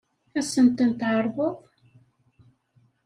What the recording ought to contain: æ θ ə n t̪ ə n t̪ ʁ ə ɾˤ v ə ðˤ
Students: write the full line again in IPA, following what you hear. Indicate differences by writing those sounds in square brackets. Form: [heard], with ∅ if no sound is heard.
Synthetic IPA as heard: æ [s] ə n t̪ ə n t̪ [ʕ] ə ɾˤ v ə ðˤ